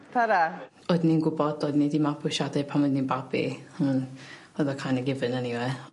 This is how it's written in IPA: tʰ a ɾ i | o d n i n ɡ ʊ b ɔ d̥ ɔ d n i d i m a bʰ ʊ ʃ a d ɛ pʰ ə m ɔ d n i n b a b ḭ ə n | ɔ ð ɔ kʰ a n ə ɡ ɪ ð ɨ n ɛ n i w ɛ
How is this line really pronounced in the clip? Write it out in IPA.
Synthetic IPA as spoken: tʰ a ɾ a | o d n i n ɡ ʊ b ɔ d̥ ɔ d n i d i m a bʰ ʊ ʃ a d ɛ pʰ a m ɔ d n i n b a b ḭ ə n | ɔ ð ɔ kʰ a n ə ɡ ɪ v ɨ n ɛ n i w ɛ